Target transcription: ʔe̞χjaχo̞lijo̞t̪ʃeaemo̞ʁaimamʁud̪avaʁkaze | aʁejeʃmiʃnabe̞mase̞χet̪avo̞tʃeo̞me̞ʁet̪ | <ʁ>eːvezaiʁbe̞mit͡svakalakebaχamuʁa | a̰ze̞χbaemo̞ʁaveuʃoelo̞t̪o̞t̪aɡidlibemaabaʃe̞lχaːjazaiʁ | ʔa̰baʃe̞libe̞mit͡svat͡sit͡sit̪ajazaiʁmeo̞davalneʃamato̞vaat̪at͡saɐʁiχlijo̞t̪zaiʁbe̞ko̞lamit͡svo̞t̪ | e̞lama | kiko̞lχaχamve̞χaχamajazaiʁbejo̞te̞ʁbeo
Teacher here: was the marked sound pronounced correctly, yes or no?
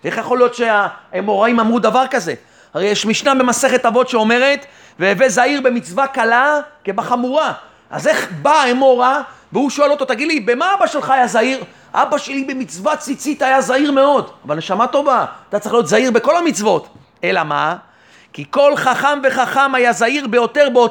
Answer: no